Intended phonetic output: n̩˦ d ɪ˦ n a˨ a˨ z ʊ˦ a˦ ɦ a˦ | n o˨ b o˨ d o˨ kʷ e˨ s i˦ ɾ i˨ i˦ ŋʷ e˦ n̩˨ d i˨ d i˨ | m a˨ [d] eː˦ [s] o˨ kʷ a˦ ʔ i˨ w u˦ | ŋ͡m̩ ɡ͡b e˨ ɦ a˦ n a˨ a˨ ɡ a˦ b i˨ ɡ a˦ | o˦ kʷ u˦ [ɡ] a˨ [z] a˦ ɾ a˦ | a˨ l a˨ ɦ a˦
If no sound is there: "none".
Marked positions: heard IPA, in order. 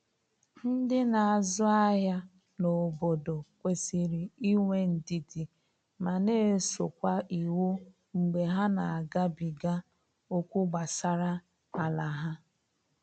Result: n, s, ɡ͡b, s

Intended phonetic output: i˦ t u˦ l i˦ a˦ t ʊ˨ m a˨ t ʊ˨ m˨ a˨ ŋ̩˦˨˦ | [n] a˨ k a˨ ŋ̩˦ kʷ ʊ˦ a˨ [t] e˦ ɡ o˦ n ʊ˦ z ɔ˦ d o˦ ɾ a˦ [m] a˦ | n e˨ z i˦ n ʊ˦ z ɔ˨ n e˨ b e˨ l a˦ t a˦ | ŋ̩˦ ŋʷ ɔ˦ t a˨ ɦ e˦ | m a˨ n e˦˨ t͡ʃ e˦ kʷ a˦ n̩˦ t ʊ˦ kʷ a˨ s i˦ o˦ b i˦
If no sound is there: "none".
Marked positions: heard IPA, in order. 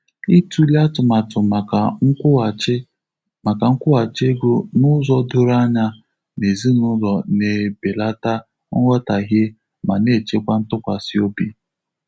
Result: m, t͡ʃ, ɲ

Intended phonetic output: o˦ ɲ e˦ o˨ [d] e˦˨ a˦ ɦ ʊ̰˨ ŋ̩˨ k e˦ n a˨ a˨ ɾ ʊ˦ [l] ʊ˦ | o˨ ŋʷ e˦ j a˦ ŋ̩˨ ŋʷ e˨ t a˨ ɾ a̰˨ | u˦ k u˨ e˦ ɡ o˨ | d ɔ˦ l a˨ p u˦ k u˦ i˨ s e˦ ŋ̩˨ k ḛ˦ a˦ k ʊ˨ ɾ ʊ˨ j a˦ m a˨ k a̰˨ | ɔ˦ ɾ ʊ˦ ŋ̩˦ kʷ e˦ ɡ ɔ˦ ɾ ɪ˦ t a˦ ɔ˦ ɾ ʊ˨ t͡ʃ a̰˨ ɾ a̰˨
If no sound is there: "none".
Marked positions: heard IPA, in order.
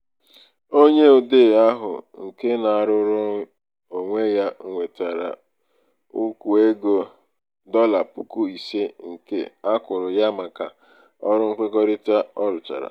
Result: d, ɾ

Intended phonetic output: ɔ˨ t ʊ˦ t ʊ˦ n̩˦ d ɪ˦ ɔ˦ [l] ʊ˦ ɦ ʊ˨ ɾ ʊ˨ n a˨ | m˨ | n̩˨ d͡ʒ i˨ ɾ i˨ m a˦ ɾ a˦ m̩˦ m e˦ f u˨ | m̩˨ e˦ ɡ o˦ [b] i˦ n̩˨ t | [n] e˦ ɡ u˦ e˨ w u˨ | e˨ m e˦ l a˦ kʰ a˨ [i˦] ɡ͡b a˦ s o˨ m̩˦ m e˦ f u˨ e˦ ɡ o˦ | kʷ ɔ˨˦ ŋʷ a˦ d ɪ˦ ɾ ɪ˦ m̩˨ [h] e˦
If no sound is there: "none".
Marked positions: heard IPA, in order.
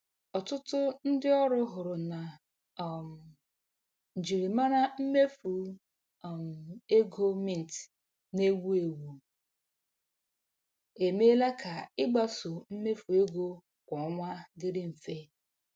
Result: ɾ, m, n, ɪ˦, f

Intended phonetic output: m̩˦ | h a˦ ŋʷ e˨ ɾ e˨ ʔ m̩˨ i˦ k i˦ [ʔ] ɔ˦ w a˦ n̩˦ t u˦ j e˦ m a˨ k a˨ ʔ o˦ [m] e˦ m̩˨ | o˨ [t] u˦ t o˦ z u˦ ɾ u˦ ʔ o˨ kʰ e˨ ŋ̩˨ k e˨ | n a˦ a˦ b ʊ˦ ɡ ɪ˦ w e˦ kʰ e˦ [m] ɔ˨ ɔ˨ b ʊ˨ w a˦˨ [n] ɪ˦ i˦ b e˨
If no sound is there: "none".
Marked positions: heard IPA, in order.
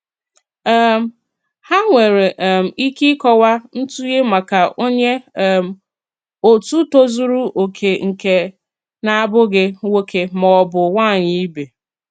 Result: k, ɲ, t, m, ɲ

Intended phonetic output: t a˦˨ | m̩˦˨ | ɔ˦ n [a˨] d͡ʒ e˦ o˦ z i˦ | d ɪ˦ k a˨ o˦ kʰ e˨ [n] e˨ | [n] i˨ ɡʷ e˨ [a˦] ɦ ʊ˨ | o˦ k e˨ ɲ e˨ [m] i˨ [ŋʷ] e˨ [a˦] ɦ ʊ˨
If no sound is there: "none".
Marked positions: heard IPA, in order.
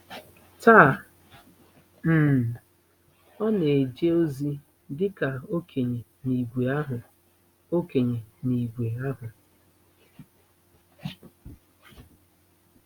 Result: e˨, ɲ, n, a˦, n, ɡʷ, a˦

